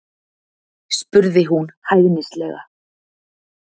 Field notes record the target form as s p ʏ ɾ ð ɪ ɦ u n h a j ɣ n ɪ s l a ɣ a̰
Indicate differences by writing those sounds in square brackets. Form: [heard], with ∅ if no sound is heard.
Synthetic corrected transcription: s p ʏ ɾ ð ɪ ɦ u n h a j ɣ n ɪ s l [ɛ] ɣ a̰